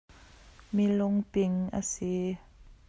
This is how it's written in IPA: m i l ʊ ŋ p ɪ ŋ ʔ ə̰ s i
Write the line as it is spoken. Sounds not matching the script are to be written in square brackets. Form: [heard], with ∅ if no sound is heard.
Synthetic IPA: m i l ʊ ŋ p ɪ ŋ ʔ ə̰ s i